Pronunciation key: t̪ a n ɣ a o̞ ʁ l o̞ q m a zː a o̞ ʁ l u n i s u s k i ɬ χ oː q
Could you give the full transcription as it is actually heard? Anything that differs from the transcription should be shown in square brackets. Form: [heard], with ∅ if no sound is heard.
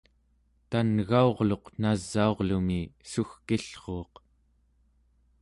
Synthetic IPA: t̪ a n ɣ a o̞ ʁ l o̞ q [n] a zː a o̞ ʁ l u [m] i s u [x] k i ɬ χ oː q